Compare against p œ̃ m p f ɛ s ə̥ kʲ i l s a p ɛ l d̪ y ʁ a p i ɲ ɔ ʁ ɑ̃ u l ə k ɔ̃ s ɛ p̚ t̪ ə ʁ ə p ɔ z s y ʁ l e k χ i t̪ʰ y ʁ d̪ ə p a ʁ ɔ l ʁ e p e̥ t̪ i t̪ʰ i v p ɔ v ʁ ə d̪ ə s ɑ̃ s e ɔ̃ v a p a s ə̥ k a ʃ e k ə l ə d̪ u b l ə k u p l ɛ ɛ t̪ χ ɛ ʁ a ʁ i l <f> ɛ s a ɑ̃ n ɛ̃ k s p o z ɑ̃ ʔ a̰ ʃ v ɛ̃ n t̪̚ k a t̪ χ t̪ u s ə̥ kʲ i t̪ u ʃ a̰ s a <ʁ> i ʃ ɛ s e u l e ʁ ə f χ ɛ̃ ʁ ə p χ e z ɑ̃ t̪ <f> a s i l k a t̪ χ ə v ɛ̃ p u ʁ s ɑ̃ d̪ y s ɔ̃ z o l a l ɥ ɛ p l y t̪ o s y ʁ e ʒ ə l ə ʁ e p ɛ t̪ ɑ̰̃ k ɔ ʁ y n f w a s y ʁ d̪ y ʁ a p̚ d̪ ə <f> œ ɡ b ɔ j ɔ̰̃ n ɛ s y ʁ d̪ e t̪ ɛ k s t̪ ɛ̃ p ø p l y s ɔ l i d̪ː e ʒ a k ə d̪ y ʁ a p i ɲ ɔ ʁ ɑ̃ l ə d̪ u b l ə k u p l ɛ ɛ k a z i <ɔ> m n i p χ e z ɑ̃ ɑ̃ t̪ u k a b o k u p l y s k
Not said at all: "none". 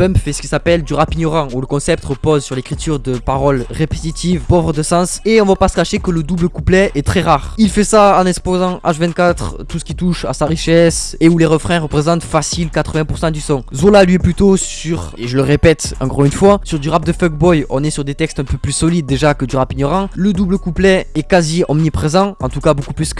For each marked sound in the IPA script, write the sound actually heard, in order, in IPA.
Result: f, ʁ, f, f, ɔ

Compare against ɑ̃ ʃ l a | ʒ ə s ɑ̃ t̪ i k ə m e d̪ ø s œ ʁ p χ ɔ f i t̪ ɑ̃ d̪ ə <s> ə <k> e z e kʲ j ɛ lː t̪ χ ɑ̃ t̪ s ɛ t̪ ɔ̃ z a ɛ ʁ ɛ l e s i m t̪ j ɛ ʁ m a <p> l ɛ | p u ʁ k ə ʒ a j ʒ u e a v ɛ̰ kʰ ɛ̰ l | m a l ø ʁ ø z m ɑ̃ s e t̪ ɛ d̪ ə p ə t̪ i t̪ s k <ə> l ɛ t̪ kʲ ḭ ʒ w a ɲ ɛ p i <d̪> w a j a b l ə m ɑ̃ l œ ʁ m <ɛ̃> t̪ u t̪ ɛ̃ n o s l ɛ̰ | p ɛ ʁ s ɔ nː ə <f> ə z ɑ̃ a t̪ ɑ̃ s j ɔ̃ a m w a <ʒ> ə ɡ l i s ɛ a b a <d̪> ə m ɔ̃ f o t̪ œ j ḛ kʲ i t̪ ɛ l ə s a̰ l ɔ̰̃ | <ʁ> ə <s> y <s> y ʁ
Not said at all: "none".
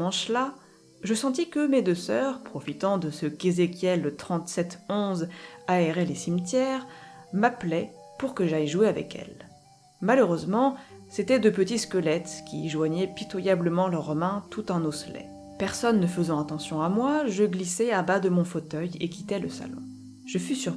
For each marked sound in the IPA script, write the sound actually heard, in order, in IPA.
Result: s, k, p, ə, t̪, ɛ̃, f, ʒ, d̪, ʒ, f, s

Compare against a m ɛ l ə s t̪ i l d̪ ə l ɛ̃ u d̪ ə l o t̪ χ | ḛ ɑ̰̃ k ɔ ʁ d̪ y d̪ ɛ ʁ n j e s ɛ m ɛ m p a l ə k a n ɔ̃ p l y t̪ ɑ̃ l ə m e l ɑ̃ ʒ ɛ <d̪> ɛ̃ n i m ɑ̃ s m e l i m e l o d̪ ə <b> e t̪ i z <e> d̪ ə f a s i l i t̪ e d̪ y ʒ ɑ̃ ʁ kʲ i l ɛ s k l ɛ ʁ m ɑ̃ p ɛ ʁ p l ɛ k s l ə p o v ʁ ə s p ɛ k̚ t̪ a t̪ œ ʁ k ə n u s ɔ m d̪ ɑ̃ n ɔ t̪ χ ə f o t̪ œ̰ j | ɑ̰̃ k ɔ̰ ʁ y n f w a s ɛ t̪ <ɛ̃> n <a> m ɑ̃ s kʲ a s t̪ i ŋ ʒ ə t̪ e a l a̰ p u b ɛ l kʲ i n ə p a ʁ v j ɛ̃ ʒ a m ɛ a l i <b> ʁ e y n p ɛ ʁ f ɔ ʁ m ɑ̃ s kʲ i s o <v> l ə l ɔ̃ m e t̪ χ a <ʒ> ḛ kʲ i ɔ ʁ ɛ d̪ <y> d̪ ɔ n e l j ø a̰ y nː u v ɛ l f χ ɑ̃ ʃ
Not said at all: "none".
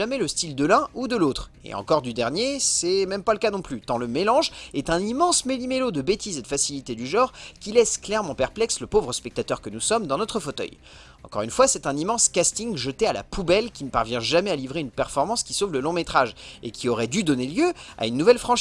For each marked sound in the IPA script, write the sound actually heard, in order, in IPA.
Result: t̪, b, e, ɛ̃, i, v, v, ʒ, y

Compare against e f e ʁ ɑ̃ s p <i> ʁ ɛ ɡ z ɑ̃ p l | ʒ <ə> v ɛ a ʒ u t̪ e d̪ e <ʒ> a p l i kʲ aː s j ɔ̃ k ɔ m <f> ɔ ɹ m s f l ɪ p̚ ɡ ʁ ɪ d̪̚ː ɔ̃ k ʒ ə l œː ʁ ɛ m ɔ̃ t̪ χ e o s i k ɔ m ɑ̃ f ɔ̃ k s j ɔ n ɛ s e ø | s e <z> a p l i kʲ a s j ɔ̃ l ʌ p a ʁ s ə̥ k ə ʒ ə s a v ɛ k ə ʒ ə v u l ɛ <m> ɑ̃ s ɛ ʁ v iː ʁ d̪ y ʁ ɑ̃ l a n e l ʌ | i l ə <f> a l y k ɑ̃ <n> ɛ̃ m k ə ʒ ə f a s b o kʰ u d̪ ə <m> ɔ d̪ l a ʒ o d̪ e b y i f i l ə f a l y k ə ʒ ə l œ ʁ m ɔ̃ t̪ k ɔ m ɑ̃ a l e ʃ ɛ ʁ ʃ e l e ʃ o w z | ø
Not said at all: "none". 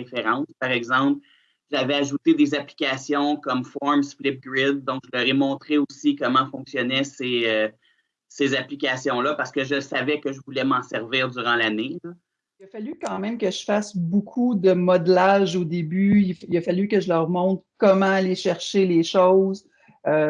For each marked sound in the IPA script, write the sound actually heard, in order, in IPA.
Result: a, a, z, f, z, m, f, m, m

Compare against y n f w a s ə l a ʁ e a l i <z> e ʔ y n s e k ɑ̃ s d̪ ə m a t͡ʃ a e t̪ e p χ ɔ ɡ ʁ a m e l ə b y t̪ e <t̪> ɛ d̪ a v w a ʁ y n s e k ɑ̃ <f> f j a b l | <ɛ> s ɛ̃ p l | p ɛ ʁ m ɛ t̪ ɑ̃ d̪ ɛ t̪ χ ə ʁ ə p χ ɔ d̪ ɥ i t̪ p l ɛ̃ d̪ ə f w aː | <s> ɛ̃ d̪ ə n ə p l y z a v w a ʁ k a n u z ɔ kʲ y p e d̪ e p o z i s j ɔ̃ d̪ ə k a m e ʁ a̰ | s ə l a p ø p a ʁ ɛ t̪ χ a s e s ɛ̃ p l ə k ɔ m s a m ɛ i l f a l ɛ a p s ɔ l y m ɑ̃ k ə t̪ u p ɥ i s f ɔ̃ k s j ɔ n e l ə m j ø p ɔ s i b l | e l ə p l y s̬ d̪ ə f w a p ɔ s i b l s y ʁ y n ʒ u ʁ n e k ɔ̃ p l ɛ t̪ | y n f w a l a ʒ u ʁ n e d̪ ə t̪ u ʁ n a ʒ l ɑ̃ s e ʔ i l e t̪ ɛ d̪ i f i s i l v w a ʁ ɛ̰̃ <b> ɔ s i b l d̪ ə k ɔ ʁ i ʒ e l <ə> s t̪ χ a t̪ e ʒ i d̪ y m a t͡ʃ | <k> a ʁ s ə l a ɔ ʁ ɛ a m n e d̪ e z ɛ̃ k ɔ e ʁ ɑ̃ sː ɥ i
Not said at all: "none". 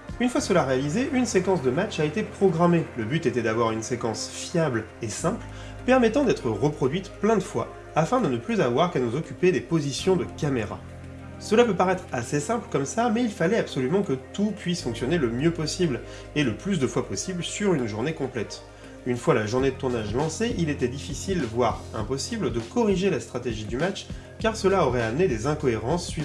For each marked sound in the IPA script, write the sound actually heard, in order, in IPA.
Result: z, t̪, s, e, f, p, a, k

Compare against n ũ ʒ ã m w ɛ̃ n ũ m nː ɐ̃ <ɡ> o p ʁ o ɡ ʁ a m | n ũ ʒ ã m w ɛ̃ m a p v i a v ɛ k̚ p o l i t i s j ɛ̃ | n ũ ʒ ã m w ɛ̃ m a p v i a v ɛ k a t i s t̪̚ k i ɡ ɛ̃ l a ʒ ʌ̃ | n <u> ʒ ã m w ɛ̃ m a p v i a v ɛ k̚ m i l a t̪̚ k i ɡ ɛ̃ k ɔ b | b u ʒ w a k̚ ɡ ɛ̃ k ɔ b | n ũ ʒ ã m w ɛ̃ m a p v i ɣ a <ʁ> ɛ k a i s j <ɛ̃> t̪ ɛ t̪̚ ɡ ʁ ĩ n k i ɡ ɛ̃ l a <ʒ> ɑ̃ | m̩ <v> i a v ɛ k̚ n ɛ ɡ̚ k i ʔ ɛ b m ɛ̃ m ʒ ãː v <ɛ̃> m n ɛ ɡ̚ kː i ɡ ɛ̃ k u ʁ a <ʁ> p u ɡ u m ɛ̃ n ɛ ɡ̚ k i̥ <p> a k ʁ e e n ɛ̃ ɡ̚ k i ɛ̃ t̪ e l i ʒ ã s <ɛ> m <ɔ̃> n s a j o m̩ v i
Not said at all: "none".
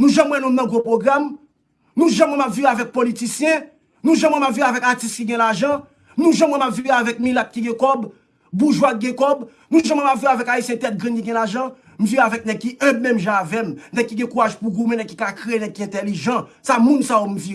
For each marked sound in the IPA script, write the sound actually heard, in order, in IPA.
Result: ɡ, ũ, v, ɛ̃, ʒ, v, ɛ, ʒ, k, a, ũ

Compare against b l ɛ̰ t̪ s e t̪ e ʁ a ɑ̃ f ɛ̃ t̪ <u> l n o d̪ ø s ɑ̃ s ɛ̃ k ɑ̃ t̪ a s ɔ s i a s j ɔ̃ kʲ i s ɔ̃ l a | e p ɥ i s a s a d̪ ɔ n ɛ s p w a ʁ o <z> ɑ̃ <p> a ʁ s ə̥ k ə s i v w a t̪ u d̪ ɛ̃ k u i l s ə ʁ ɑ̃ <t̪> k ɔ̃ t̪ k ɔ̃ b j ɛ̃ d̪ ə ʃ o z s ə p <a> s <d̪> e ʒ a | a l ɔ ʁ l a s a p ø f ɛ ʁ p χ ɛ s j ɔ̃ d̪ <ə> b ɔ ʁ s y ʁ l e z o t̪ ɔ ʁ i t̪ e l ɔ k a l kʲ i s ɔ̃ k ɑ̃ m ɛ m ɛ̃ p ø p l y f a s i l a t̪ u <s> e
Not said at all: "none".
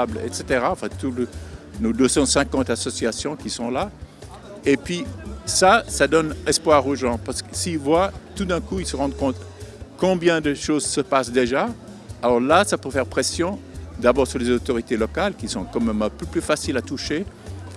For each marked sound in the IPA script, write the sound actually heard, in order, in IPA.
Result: u, ʒ, p, d̪, a, d̪, a, ʃ

